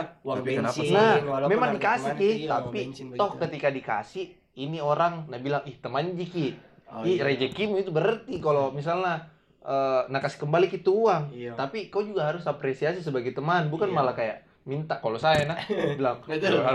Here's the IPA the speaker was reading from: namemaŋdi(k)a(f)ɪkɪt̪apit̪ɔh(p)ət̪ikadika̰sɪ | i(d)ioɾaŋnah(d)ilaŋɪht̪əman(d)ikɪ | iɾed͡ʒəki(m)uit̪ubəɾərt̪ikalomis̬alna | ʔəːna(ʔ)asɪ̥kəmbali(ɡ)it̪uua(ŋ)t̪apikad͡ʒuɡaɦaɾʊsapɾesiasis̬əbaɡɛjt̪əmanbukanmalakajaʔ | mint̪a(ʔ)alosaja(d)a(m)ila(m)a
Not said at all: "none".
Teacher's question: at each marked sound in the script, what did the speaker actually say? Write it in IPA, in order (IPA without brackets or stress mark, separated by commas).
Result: k, s, k, n, b, d͡ʒ, m, k, k, ŋ, k, n, b, ŋ